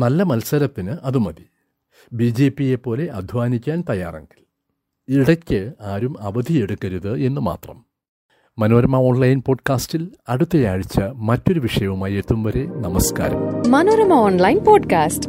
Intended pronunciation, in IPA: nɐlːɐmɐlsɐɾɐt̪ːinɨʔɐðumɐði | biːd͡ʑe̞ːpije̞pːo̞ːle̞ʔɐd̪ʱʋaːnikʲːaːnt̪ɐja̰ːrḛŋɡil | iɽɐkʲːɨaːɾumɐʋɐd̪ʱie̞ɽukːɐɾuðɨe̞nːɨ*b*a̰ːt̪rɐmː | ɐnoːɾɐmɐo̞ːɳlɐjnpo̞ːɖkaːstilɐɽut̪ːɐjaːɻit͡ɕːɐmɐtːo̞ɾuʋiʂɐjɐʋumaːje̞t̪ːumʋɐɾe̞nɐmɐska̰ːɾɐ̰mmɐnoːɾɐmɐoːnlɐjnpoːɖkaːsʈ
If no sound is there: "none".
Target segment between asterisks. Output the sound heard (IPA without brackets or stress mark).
m